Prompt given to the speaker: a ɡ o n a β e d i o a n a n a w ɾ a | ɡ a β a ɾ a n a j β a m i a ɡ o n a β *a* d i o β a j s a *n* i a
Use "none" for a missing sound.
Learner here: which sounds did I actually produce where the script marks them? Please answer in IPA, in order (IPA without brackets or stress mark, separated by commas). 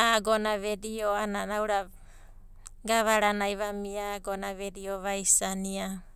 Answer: e, n